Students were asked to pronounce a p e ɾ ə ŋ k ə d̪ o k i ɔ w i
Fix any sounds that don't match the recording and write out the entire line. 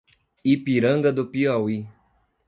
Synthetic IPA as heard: i p i ɾ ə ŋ ɡ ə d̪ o p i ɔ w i